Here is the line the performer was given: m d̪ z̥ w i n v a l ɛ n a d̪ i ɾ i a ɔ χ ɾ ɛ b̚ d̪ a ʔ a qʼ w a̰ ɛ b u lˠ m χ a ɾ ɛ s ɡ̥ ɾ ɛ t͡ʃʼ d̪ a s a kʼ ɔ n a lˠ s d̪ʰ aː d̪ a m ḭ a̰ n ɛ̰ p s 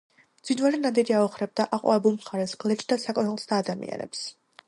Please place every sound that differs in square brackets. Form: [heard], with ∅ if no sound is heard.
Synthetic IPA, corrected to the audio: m d̪ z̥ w i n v a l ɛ n a d̪ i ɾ i a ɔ χ ɾ ɛ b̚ d̪ a ʔ a qʼ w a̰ ɛ b u lˠ m χ a ɾ ɛ s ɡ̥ [l] ɛ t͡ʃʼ d̪ a s a kʼ ɔ n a lˠ s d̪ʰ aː d̪ a m ḭ a̰ n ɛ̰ p s